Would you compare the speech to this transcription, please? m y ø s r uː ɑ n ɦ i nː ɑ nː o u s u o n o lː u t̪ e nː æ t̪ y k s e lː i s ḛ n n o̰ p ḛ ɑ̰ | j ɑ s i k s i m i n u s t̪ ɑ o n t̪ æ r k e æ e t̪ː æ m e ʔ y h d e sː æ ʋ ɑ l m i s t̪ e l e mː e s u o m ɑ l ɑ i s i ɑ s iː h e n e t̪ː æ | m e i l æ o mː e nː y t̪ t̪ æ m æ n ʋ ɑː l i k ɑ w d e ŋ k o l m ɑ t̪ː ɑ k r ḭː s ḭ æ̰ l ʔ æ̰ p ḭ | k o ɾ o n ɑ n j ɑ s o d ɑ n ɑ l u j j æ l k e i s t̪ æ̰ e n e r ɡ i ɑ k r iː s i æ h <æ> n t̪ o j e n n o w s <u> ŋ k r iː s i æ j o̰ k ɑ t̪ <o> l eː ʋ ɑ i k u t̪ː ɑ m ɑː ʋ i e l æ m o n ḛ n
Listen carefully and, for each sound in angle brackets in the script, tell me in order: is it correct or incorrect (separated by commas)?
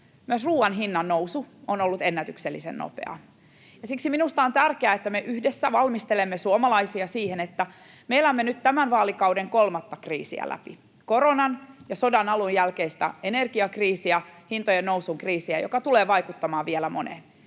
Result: incorrect, correct, incorrect